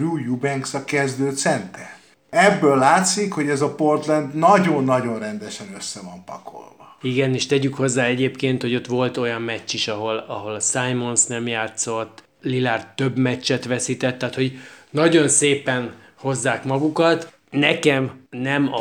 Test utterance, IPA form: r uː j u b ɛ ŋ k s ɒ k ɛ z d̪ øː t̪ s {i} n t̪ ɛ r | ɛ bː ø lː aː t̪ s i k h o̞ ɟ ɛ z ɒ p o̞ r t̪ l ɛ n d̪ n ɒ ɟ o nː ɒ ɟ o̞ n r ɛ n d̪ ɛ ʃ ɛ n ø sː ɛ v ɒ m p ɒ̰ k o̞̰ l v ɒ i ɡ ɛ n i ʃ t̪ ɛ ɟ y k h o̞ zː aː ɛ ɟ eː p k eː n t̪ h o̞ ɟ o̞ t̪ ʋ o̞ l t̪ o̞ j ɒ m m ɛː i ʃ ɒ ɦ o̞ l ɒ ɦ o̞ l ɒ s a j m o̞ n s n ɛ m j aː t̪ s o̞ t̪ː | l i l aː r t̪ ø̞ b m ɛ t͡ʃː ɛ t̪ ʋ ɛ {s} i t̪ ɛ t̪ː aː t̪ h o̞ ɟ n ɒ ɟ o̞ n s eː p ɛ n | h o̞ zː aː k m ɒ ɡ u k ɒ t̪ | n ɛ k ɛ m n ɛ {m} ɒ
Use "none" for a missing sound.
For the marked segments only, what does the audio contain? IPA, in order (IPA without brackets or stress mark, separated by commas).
ɛ, s, m